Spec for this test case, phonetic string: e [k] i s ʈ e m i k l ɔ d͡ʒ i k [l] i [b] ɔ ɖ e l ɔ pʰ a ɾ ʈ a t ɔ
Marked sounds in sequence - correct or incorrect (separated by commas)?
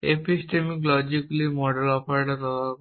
incorrect, correct, incorrect